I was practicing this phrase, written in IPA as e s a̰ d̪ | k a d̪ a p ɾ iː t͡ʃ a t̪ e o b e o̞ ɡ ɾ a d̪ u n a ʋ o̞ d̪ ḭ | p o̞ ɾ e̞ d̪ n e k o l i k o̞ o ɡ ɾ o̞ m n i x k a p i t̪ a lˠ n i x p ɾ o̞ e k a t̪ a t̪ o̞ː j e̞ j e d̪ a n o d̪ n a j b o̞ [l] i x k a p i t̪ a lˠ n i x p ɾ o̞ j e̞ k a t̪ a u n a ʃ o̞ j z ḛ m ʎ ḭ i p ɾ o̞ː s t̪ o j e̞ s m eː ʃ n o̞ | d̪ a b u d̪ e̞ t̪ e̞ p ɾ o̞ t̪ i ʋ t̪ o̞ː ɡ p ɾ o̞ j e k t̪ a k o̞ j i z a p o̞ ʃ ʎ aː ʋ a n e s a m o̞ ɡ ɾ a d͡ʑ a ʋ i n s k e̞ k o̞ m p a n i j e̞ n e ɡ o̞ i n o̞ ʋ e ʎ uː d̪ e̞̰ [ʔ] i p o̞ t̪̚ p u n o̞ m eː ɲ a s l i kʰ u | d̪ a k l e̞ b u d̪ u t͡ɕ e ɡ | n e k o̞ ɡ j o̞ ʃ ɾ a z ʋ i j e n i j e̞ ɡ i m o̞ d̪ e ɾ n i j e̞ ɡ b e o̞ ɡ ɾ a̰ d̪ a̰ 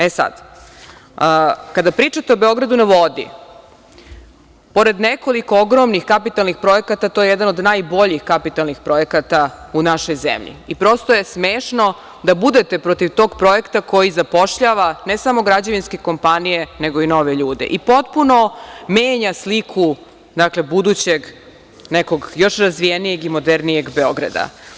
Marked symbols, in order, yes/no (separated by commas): no, yes